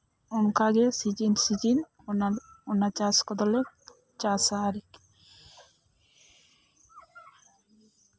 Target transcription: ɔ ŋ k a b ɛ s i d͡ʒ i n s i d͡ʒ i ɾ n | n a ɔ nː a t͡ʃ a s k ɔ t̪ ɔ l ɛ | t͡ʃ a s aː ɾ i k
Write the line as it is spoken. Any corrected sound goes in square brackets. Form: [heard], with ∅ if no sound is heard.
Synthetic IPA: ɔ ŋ k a [ɡ] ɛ s i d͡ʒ i n s i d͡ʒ i [∅] n | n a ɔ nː a t͡ʃ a s k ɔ [d̪] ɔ l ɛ | t͡ʃ a s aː ɾ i k